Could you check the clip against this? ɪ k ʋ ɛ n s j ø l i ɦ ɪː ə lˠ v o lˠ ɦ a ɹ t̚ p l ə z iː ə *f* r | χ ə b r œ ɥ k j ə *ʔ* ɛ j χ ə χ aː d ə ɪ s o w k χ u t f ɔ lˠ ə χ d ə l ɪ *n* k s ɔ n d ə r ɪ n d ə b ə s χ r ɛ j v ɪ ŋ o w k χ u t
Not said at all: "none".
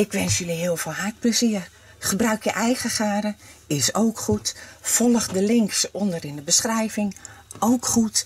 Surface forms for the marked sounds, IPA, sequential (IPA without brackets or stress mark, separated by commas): none, ʔ, ŋ